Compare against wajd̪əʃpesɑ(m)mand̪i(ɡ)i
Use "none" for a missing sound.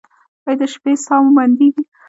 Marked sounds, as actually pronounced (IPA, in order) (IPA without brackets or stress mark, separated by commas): m, ɡ